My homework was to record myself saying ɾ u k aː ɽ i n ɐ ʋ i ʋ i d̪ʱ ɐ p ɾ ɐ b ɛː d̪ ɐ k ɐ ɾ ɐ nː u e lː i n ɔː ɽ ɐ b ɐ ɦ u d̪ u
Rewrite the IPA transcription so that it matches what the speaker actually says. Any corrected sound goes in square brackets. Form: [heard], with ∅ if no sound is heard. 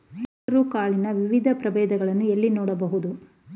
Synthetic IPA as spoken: ɾ u k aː [ɭ] i n ɐ ʋ i ʋ i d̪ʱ ɐ p ɾ ɐ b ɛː d̪ ɐ [ɡ] ɐ [ɭ] ɐ nː u e lː i n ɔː ɽ ɐ b ɐ ɦ u d̪ u